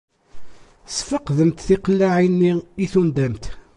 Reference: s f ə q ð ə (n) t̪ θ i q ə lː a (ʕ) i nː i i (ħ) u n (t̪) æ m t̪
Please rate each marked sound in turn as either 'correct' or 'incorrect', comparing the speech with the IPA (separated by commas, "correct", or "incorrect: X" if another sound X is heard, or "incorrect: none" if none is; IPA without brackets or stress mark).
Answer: incorrect: m, correct, incorrect: θ, incorrect: d̪